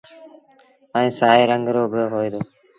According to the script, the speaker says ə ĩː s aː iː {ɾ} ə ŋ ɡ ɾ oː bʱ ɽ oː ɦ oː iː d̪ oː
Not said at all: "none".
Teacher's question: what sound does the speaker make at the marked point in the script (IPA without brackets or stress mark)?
ɾ